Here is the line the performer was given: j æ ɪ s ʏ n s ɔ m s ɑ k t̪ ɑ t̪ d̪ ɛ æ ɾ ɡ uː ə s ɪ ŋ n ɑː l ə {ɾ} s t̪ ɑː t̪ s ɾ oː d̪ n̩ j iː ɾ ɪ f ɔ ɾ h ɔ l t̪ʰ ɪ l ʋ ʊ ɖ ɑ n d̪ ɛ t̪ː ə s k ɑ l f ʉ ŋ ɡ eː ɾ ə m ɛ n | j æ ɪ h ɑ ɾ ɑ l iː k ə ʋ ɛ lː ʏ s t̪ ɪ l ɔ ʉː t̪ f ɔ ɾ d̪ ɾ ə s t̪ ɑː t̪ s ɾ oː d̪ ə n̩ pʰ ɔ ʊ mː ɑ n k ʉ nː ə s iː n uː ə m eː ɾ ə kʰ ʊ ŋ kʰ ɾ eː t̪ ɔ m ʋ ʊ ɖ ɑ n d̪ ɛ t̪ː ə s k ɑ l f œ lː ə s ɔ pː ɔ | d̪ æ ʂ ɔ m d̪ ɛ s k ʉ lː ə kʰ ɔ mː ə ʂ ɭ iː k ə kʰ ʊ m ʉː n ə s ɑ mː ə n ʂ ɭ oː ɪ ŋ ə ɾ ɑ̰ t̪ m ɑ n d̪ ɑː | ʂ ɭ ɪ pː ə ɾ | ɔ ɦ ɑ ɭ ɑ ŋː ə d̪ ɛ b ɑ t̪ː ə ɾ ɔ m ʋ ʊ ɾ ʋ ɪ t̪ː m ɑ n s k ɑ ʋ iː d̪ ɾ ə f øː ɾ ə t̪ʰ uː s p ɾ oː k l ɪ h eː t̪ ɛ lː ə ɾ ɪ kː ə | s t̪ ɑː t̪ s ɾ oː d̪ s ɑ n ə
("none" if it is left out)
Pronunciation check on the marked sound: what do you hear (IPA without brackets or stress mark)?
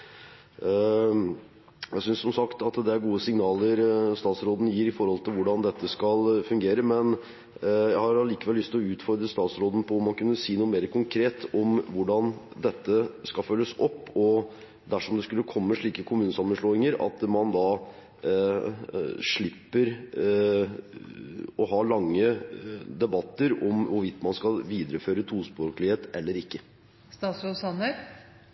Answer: ɾ